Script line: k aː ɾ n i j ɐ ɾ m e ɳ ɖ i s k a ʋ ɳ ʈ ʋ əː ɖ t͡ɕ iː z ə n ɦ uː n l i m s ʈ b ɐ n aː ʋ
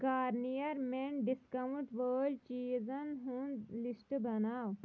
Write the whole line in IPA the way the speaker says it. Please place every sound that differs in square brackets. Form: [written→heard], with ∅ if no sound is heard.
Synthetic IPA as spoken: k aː ɾ n i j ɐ ɾ m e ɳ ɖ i s k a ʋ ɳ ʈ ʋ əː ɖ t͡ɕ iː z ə n ɦ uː n l i [m→∅] s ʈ b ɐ n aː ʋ